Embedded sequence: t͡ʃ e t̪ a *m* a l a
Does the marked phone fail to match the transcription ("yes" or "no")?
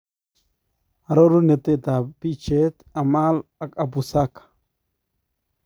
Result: no